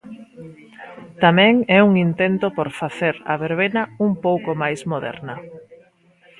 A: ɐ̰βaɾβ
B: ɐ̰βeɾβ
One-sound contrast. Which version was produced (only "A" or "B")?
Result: B